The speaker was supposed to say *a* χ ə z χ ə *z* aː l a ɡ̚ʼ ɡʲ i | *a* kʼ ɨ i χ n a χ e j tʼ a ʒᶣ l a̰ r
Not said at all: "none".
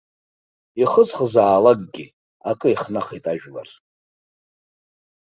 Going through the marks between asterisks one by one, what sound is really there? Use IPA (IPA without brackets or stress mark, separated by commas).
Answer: i, z, a